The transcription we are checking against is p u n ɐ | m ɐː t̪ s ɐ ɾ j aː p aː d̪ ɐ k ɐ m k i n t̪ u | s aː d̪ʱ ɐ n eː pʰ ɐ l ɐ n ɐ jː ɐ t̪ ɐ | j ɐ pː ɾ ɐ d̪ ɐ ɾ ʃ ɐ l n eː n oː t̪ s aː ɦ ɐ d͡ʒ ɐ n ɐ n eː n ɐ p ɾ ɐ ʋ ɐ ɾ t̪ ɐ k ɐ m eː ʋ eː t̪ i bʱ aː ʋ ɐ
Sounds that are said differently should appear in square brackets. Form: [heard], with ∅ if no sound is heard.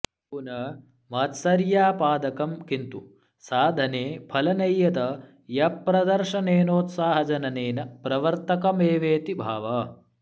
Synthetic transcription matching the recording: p u n ɐ | m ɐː t̪ s ɐ ɾ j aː p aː d̪ ɐ k ɐ m k i n t̪ u | s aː d̪ʱ ɐ n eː pʰ ɐ l ɐ n ɐ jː ɐ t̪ ɐ | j ɐ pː ɾ ɐ d̪ ɐ ɾ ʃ ɐ [∅] n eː n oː t̪ s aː ɦ ɐ d͡ʒ ɐ n ɐ n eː n ɐ p ɾ ɐ ʋ ɐ ɾ t̪ ɐ k ɐ m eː ʋ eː t̪ i bʱ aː ʋ ɐ

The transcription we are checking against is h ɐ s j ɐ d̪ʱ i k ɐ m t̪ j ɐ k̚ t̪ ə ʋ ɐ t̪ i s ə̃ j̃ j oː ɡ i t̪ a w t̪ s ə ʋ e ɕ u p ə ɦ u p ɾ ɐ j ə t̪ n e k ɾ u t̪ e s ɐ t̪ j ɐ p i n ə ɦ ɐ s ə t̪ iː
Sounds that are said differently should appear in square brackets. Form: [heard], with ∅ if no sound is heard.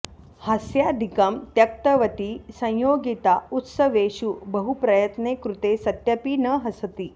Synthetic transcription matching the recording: h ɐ s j [a] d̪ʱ i k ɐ m t̪ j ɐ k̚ t̪ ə ʋ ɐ t̪ i s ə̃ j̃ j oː ɡ i t̪ a [u] t̪ s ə ʋ e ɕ u [b] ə ɦ u p ɾ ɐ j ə t̪ n e k ɾ u t̪ e s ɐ t̪ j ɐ p i n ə ɦ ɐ s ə t̪ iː

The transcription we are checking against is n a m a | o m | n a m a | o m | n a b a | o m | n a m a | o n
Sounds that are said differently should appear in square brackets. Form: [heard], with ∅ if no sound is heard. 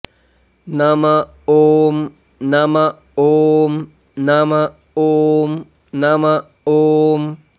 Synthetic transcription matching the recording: n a m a | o m | n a m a | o m | n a [m] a | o m | n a m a | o [m]

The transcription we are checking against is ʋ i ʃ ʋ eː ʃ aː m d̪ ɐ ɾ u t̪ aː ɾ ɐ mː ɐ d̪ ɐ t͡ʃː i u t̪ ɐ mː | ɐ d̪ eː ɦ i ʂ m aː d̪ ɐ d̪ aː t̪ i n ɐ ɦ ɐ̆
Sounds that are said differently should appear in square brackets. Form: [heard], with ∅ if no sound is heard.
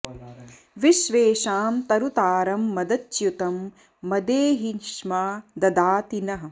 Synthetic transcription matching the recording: ʋ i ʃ ʋ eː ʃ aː m [t̪] ɐ ɾ u t̪ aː ɾ ɐ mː ɐ d̪ ɐ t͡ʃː [j] u t̪ ɐ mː | ɐ d̪ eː ɦ i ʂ m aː d̪ ɐ d̪ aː t̪ i n ɐ ɦ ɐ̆

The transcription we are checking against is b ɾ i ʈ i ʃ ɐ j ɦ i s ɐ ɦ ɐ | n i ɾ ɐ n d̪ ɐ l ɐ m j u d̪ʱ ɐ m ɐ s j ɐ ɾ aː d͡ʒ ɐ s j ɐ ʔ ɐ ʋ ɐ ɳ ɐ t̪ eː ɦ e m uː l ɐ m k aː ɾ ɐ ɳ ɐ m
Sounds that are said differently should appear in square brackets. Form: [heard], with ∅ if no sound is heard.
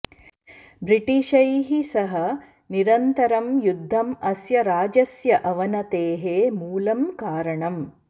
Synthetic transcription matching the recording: b ɾ i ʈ i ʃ ɐ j ɦ i s ɐ ɦ ɐ | n i ɾ ɐ n [t̪] ɐ [ɾ] ɐ m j u [d̪ʱː] ɐ m ɐ s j ɐ ɾ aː d͡ʒ ɐ s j ɐ ʔ ɐ ʋ ɐ [n] ɐ t̪ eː ɦ e m uː l ɐ m k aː ɾ ɐ ɳ ɐ m

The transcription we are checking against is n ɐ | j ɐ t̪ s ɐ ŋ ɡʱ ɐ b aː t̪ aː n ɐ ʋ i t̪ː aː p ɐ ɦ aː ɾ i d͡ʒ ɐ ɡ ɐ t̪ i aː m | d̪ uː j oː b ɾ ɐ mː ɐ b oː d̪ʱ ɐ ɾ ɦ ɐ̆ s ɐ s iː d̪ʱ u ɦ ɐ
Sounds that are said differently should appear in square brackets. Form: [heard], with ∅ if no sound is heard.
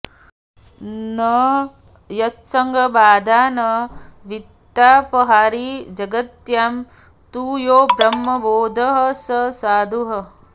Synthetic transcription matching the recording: n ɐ | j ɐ t̪ s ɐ ŋ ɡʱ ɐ b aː [d̪] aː n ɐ ʋ i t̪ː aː p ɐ ɦ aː ɾ i d͡ʒ ɐ ɡ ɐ t̪ [j] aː m | [t̪] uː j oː b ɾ ɐ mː ɐ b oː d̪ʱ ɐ [∅] ɦ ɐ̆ s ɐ s [aː] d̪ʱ u ɦ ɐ

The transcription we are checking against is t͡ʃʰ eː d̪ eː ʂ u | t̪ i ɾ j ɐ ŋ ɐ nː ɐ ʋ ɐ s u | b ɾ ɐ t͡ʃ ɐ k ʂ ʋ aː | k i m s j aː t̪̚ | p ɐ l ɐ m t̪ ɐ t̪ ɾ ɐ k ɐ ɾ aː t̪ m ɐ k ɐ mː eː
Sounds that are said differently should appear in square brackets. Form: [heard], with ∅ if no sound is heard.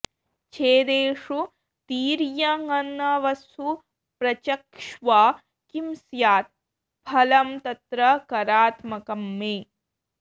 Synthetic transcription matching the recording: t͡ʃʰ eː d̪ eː ʂ u | t̪ [iː] ɾ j ɐ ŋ ɐ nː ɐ ʋ ɐ s u | [p] ɾ ɐ t͡ʃ ɐ k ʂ ʋ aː | k i m s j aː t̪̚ | [pʰ] ɐ l ɐ m t̪ ɐ t̪ ɾ ɐ k ɐ ɾ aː t̪ m ɐ k ɐ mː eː

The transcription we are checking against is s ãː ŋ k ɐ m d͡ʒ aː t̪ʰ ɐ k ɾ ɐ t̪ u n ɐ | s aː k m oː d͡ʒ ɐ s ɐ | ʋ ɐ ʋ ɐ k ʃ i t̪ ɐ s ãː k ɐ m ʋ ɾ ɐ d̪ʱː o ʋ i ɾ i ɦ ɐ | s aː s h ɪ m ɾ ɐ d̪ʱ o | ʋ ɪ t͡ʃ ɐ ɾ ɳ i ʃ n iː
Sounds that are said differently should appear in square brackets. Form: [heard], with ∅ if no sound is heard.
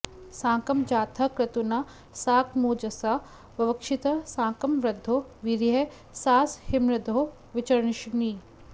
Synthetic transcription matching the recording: s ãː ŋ k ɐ m d͡ʒ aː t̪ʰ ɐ k ɾ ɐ t̪ u n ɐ | s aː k m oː d͡ʒ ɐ s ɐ | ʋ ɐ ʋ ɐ k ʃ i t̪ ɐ s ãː k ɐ m ʋ ɾ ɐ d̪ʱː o ʋ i ɾ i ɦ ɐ | s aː s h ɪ m ɾ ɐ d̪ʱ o | ʋ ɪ t͡ʃ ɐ ɾ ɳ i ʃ n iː

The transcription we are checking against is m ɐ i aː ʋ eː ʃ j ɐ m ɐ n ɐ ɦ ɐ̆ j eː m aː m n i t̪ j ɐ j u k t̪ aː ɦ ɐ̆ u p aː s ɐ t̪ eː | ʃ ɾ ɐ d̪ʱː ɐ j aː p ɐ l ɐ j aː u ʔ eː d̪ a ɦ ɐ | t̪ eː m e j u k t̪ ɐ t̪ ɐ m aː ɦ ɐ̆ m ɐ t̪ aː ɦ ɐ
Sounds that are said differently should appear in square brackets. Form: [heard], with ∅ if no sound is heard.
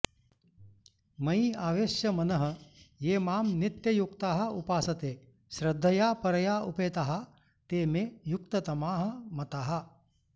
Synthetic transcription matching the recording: m ɐ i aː ʋ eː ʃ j ɐ m ɐ n ɐ ɦ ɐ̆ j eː m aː m n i t̪ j ɐ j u k t̪ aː ɦ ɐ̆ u p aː s ɐ t̪ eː | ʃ ɾ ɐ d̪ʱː ɐ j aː p ɐ [ɾ] ɐ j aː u [p] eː [t̪] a ɦ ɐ | t̪ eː m e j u k t̪ ɐ t̪ ɐ m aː ɦ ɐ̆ m ɐ t̪ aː ɦ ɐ

